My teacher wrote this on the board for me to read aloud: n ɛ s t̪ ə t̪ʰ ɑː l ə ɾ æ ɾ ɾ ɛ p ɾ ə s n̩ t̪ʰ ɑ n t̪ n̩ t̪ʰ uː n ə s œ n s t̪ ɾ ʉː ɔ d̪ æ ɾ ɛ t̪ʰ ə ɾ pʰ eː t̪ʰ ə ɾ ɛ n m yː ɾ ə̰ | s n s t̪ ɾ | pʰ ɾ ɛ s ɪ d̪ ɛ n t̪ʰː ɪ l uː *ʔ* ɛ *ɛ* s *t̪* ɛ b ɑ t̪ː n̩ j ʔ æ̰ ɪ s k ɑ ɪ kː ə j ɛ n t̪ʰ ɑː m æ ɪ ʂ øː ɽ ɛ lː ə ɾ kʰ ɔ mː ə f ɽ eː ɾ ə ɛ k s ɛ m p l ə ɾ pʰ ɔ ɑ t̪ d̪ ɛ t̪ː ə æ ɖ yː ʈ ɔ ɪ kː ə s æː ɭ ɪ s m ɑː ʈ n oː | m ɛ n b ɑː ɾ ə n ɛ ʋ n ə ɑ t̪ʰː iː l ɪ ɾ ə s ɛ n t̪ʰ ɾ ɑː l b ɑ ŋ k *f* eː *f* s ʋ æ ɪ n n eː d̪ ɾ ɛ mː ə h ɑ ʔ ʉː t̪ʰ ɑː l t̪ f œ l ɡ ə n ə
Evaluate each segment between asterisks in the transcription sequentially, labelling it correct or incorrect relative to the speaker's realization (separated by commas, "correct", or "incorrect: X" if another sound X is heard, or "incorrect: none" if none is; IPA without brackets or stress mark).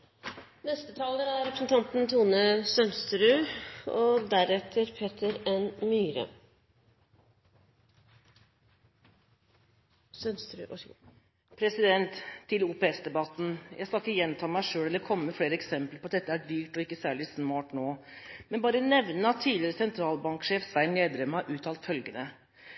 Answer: incorrect: p, correct, incorrect: d̪, incorrect: ʂ, correct